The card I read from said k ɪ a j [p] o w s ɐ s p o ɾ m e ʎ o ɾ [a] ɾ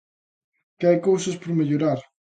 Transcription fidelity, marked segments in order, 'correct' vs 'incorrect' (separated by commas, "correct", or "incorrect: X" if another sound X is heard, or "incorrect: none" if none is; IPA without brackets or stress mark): incorrect: k, correct